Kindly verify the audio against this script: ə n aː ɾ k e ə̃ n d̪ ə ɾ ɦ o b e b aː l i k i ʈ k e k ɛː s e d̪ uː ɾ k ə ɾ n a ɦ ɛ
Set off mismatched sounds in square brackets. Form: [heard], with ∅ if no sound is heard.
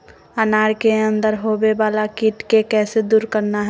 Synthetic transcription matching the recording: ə n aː ɾ k e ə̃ n d̪ ə ɾ ɦ o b e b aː l [a] k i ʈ k e k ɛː s e d̪ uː ɾ k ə ɾ n a ɦ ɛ